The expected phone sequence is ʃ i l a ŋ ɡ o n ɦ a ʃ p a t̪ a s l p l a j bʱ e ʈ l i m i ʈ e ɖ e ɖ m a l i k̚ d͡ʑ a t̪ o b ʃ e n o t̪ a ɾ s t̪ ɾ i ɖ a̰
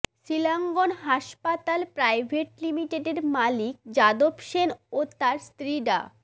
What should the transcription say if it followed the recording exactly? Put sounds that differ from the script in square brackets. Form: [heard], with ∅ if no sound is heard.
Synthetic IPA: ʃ i l a ŋ ɡ o n ɦ a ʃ p a t̪ a [∅] l p [ɾ] a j bʱ e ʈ l i m i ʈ e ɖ e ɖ m a l i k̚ d͡ʑ a [d̪] o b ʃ e n o t̪ a ɾ s t̪ ɾ i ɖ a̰